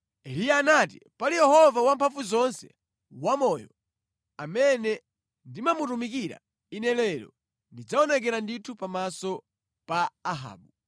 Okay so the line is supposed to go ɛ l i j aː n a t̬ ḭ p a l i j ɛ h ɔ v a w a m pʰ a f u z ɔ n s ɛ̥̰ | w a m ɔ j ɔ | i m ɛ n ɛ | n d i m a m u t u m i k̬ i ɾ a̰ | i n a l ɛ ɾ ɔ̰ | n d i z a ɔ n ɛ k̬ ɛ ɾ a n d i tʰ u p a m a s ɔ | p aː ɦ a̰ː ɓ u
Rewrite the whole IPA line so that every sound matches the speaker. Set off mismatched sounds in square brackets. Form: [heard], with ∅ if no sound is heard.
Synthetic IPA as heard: ɛ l i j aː n a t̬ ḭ p a l i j ɛ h ɔ v a w a m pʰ a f u z ɔ n s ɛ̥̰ | w a m ɔ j ɔ | [a] m ɛ n ɛ | n d i m a m u t u m i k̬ i ɾ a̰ | i n [ɛ] l ɛ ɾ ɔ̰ | n d i [d͡z] a ɔ n ɛ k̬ ɛ ɾ a n d i tʰ u p a m a s ɔ | p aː ɦ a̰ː ɓ u